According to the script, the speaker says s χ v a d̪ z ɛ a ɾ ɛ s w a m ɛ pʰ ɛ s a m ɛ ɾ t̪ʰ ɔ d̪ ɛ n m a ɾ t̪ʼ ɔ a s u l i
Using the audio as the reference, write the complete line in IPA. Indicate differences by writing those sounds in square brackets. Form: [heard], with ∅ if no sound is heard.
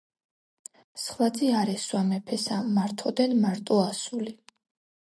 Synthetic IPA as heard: s χ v a d̪ z [i] a ɾ ɛ s w a m ɛ pʰ ɛ s a m [a] ɾ t̪ʰ ɔ d̪ ɛ n m a ɾ t̪ʼ ɔ a s u l i